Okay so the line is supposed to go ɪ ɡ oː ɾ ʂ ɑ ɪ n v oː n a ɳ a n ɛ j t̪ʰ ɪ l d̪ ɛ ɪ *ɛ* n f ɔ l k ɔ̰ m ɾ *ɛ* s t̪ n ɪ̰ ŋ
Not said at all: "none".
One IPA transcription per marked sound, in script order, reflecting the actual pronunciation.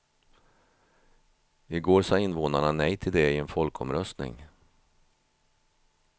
ɛ, œ

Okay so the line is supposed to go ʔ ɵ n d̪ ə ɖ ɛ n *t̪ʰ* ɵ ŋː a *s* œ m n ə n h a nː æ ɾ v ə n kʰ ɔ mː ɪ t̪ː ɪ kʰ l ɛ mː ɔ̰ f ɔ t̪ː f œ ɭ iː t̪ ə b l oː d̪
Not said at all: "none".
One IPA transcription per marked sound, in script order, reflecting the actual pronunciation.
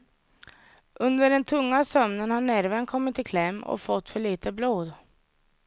t̪ʰ, s

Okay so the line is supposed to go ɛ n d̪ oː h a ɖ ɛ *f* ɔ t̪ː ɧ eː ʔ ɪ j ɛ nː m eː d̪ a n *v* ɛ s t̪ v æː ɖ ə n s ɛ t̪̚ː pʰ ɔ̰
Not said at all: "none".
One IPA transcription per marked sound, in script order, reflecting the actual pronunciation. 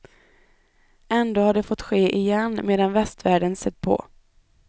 f, v

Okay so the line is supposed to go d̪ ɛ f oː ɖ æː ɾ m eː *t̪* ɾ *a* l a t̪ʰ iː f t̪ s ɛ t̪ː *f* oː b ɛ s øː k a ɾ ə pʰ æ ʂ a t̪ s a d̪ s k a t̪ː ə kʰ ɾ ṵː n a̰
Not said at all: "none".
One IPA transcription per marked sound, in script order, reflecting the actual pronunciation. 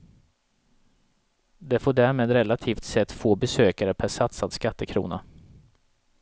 d̪, ɛ, f

